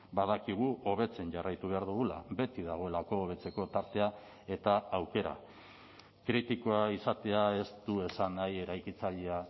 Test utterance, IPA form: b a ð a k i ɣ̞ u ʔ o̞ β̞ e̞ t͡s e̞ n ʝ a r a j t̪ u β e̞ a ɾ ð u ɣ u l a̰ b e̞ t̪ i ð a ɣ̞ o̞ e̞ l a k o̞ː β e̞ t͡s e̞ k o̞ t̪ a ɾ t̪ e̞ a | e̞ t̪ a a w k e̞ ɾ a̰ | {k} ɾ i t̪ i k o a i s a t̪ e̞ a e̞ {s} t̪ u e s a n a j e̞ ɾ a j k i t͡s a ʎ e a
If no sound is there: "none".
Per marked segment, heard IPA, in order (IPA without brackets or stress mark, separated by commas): k, s